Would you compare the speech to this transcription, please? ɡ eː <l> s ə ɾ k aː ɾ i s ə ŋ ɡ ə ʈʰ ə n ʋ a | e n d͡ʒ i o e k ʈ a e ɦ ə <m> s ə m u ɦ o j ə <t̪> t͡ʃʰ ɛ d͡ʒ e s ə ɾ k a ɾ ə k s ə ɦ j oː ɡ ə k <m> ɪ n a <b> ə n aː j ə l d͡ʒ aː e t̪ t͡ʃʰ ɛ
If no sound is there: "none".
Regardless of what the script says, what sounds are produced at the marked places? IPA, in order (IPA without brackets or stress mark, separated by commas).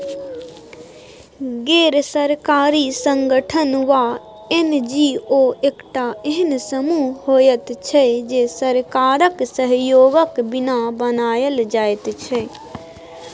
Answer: ɾ, n, t̪, b, b